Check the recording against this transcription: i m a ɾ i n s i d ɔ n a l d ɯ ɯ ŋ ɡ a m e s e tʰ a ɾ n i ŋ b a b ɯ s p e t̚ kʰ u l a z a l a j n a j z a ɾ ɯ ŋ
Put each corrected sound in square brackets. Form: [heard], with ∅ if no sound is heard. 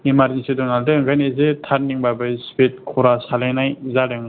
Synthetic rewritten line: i m a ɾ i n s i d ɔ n a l d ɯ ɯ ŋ ɡ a [n] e [z] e tʰ a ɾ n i ŋ b a b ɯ s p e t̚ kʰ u [ɾ] a [s] a l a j n a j z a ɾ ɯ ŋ